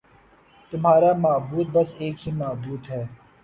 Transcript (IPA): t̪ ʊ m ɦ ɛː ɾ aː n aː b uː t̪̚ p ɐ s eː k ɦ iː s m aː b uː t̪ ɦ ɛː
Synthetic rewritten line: t̪ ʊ m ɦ aː ɾ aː m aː b uː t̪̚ b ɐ s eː k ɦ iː m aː b uː t̪ ɦ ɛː